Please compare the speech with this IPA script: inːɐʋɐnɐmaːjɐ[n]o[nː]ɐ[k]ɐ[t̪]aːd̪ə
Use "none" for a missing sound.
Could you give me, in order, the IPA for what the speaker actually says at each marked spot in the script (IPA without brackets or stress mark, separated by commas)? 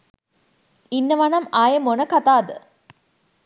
m, n, k, t̪